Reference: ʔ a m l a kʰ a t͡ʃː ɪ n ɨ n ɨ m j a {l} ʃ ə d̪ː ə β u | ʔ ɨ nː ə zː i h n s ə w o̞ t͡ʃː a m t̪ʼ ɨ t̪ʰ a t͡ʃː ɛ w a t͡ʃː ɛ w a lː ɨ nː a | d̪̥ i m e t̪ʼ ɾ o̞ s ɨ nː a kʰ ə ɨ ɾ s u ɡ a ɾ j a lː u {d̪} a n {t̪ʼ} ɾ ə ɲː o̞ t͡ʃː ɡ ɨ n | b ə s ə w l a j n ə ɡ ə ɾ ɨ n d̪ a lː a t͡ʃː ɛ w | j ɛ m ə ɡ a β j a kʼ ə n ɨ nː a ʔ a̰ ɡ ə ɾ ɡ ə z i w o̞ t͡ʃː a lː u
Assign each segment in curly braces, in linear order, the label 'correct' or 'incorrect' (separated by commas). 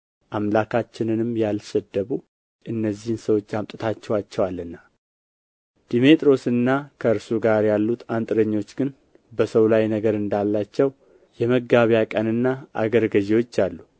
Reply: correct, incorrect, correct